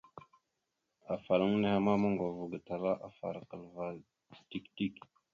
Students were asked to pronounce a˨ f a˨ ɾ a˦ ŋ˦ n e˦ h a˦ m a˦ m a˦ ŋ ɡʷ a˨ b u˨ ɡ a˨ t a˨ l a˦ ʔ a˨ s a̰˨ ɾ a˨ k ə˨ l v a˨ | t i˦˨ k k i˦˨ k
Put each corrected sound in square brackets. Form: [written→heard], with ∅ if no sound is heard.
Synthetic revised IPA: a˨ f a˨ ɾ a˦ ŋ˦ n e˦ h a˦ m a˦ m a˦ ŋ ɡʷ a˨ [b→v] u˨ ɡ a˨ t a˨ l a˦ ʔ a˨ [s→f] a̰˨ ɾ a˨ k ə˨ l v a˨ | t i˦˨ k [k→t] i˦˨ k